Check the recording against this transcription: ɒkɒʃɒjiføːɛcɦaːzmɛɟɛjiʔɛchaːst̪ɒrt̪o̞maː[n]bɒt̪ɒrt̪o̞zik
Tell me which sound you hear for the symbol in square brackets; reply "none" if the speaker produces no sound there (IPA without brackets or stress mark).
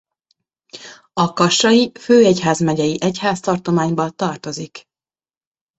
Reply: ɲ